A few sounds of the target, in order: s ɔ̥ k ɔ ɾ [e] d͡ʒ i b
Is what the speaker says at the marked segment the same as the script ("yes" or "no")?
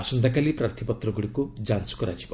no